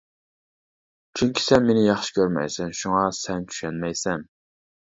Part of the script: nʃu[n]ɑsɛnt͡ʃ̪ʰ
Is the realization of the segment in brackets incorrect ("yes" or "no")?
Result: yes